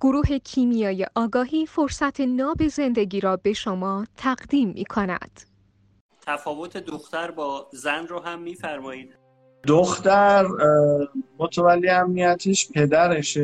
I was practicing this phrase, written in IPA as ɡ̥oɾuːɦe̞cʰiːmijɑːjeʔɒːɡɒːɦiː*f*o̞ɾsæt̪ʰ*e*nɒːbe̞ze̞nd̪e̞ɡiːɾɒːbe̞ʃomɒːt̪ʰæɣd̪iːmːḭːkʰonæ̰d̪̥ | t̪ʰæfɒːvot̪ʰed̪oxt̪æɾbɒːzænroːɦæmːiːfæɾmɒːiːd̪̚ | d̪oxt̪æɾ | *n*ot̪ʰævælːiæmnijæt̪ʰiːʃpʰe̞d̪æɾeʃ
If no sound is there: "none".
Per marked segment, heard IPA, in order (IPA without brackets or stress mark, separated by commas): f, e, m